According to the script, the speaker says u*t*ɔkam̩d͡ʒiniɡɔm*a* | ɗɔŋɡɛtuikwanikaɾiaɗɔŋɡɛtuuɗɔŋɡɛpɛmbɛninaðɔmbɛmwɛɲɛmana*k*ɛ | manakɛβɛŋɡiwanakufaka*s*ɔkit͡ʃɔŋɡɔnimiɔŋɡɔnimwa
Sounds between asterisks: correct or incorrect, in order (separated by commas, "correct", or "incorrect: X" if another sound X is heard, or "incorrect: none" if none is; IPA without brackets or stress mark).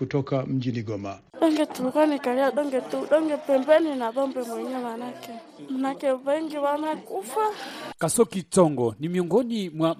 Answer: correct, correct, correct, correct